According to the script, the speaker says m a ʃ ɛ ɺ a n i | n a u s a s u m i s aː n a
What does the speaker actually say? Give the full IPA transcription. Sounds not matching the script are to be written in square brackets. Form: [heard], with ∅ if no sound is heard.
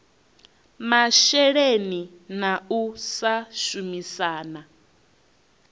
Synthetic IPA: m a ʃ ɛ ɺ [e] n i | n a u s a [ʃ] u m i s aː n a